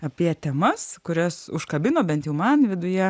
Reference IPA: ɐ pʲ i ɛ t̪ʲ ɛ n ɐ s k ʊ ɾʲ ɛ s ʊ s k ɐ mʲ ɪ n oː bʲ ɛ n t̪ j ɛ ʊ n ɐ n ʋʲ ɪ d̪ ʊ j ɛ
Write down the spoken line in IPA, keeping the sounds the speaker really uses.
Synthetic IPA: ɐ pʲ i ɛ t̪ʲ ɛ m ɐ s k ʊ ɾʲ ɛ s ʊ ʃ k ɐ bʲ ɪ n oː bʲ ɛ n t̪ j ɛ ʊ m ɐ n ʋʲ ɪ d̪ ʊ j ɛ

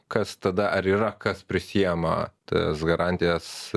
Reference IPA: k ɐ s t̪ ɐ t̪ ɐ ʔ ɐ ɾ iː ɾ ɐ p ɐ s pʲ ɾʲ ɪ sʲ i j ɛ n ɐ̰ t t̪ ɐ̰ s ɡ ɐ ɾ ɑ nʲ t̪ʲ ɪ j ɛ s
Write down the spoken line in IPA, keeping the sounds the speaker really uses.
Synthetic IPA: k ɐ s t̪ ɐ d̪ ɐ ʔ ɐ ɾ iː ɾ ɐ k ɐ s pʲ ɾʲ ɪ sʲ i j ɛ m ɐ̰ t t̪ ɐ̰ s ɡ ɐ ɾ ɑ nʲ t̪ʲ ɪ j ɛ s

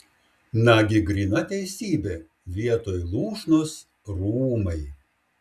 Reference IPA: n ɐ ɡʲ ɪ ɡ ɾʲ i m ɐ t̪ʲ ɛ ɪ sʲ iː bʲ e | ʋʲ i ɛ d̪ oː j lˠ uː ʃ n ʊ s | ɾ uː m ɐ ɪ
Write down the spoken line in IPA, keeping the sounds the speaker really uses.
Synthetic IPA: n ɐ ɡʲ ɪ ɡ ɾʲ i n ɐ t̪ʲ ɛ ɪ sʲ iː bʲ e | ʋʲ i ɛ t̪ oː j lˠ uː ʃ n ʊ s | ɾ uː m ɐ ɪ

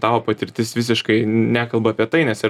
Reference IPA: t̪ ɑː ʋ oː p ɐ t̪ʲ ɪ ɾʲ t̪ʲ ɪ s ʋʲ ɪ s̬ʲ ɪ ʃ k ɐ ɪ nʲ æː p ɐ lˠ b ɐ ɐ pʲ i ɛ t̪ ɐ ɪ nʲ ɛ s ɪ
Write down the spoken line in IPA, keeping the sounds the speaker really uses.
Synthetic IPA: t̪ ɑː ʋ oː p ɐ t̪ʲ ɪ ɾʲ t̪ʲ ɪ s ʋʲ ɪ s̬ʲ ɪ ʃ k ɐ ɪ nʲ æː k ɐ lˠ b ɐ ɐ pʲ i ɛ t̪ ɐ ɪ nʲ ɛ s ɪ

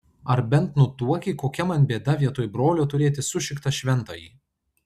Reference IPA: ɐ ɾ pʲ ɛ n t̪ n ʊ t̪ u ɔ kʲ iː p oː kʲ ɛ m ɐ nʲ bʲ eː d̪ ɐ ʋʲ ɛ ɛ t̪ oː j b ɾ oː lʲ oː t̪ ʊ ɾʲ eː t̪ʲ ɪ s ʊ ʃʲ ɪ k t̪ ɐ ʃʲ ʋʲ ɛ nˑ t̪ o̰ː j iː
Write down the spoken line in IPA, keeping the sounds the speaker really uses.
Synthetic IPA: ɐ ɾ bʲ ɛ n t̪ n ʊ t̪ u ɔ kʲ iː k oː kʲ ɛ m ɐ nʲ bʲ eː d̪ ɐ ʋʲ i ɛ t̪ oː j b ɾ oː lʲ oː t̪ ʊ ɾʲ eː t̪ʲ ɪ s ʊ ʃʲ ɪ k t̪ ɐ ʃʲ ʋʲ ɛ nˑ t̪ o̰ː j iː

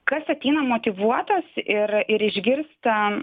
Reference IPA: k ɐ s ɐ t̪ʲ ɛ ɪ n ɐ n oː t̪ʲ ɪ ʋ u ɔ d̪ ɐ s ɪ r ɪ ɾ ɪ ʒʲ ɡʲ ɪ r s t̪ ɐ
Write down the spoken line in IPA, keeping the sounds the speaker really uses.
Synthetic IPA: k ɐ s ɐ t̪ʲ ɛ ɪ n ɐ m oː t̪ʲ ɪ ʋ u ɔ t̪ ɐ s ɪ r ɪ ɾ ɪ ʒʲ ɡʲ ɪ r s t̪ ɐ

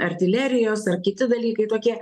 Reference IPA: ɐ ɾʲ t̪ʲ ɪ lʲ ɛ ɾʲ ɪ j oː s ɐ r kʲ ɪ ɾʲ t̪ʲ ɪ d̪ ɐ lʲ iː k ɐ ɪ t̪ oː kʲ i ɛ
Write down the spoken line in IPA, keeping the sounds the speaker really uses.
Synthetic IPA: ɐ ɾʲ t̪ʲ ɪ lʲ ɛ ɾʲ ɪ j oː s ɐ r kʲ ɪ t̪ʲ ɪ d̪ ɐ lʲ iː k ɐ ɪ t̪ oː kʲ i ɛ

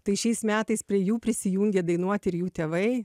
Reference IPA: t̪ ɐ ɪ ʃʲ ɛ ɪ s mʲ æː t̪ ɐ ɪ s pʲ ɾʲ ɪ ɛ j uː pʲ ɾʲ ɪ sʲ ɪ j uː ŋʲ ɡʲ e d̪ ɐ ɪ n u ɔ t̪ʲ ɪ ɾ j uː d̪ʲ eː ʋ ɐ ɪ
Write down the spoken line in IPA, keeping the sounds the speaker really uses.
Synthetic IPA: t̪ ɐ ɪ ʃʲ ɛ ɪ s mʲ æː t̪ ɐ ɪ s pʲ ɾʲ i ɛ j uː pʲ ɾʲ ɪ sʲ ɪ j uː ŋʲ ɡʲ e d̪ ɐ ɪ n u ɔ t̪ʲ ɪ ɾ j uː t̪ʲ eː ʋ ɐ ɪ

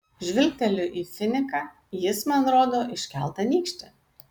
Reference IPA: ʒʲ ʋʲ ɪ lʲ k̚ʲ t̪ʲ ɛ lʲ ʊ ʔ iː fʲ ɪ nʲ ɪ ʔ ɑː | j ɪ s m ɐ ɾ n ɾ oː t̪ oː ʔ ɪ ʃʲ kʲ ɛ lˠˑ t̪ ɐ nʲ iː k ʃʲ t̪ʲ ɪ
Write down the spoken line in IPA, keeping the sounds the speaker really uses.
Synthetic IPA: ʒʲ ʋʲ ɪ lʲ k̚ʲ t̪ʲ ɛ lʲ ʊ ʔ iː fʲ ɪ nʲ ɪ k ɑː | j ɪ s m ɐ n ɾ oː d̪ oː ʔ ɪ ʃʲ kʲ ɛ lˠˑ t̪ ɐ nʲ iː k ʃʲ t̪ʲ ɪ

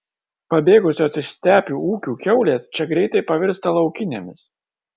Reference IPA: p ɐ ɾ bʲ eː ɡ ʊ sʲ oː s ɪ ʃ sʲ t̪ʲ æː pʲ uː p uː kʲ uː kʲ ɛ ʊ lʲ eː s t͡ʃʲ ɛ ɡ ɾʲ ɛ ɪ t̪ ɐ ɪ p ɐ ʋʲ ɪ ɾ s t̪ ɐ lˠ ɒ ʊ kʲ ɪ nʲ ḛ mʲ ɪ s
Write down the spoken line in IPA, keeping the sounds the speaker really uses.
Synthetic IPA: p ɐ bʲ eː ɡ ʊ sʲ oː s ɪ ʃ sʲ t̪ʲ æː pʲ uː uː kʲ uː kʲ ɛ ʊ lʲ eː s t͡ʃʲ ɛ ɡ ɾʲ ɛ ɪ t̪ ɐ ɪ p ɐ ʋʲ ɪ ɾ s t̪ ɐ lˠ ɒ ʊ kʲ ɪ nʲ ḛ mʲ ɪ s

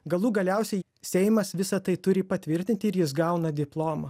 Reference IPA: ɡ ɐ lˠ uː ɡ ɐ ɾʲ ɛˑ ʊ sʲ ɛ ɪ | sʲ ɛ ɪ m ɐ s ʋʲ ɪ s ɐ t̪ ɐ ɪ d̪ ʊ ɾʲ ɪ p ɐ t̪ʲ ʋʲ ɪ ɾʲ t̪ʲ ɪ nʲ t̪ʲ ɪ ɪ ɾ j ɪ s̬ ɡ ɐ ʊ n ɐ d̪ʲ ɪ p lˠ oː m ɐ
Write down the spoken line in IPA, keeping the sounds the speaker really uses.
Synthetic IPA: ɡ ɐ lˠ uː ɡ ɐ lʲ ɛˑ ʊ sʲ ɛ ɪ | sʲ ɛ ɪ m ɐ s ʋʲ ɪ s ɐ t̪ ɐ ɪ t̪ ʊ ɾʲ ɪ p ɐ t̪ʲ ʋʲ ɪ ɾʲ t̪ʲ ɪ nʲ t̪ʲ ɪ ɪ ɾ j ɪ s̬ ɡ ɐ ʊ n ɐ d̪ʲ ɪ p lˠ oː m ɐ

